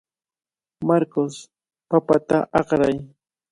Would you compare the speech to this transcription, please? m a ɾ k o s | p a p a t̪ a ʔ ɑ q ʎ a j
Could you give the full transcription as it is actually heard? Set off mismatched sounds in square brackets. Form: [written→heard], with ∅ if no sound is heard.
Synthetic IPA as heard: m a ɾ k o s | p a p a t̪ a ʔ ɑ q [ʎ→ɾ] a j